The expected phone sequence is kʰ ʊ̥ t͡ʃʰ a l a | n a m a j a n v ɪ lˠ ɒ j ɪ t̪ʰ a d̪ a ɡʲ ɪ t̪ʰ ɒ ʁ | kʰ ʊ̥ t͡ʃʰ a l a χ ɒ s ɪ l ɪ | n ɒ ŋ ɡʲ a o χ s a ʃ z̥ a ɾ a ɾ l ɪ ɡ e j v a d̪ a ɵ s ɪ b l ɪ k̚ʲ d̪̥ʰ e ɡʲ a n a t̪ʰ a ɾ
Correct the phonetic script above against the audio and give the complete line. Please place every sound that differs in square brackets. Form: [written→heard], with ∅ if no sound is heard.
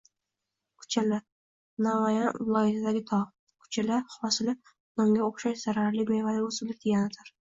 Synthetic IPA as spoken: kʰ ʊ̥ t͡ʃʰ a l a | n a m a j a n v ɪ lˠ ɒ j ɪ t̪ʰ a d̪ a ɡʲ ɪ t̪ʰ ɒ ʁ | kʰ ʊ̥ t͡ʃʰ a l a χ ɒ s ɪ l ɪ | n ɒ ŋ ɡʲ a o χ [s→ʃ] a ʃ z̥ a ɾ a ɾ l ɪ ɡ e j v a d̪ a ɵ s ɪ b l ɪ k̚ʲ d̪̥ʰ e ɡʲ a n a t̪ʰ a ɾ